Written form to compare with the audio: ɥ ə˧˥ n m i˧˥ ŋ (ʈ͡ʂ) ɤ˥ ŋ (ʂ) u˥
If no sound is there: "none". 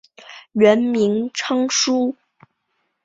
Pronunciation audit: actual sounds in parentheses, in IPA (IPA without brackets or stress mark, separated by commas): ʈ͡ʂʰ, ʂ